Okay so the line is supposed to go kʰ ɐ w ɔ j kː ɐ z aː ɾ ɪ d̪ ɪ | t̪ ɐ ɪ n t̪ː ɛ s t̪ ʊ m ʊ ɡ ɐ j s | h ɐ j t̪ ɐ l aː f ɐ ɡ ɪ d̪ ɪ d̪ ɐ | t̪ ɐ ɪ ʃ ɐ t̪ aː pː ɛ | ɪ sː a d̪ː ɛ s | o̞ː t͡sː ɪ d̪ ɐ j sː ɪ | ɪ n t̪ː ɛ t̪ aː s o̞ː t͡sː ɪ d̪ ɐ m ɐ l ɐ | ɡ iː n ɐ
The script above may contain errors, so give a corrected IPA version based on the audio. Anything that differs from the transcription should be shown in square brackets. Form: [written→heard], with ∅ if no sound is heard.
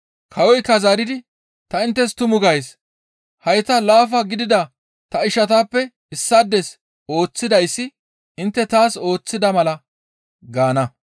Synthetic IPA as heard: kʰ ɐ w ɔ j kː ɐ z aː ɾ ɪ d̪ ɪ | t̪ ɐ ɪ n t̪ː ɛ s t̪ ʊ m ʊ ɡ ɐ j s | h ɐ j t̪ ɐ l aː f ɐ ɡ ɪ d̪ ɪ d̪ ɐ | t̪ ɐ ɪ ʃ ɐ t̪ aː pː ɛ | ɪ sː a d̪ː ɛ s | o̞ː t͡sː ɪ d̪ ɐ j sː ɪ | ɪ n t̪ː ɛ t̪ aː s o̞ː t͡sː ɪ d̪ ɐ m ɐ l ɐ | ɡ [iː→aː] n ɐ